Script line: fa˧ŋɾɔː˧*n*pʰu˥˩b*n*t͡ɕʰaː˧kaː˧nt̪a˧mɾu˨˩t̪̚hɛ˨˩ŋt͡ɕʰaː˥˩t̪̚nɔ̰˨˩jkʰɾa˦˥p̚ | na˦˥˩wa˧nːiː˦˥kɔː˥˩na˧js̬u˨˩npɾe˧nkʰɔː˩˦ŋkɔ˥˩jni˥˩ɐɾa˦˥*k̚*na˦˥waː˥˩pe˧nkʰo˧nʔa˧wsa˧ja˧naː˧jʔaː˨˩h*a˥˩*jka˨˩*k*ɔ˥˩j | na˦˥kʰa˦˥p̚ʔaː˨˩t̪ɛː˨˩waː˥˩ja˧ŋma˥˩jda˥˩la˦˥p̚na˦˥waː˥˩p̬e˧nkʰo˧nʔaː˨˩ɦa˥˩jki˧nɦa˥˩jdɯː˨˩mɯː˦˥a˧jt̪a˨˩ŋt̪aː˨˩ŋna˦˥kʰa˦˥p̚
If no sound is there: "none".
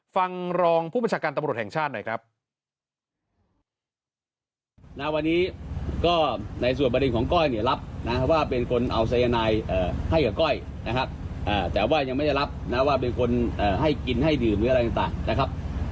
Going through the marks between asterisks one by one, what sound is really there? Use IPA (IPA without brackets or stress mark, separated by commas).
ŋ, n, p̚, a˥˩, k